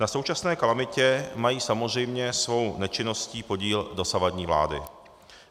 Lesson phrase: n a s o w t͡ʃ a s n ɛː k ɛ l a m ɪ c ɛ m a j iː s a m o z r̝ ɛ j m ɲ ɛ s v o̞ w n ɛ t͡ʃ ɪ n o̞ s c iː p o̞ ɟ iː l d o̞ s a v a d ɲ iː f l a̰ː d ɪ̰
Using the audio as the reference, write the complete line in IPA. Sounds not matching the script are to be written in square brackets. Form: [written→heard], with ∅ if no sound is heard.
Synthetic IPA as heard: n a s o w t͡ʃ a s n ɛː k [ɛ→a] l a m ɪ c ɛ m a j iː s a m o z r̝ ɛ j m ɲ ɛ s v o̞ w n ɛ t͡ʃ ɪ n o̞ s c iː p o̞ ɟ iː l d o̞ s a v a d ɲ iː [f→v] l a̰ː d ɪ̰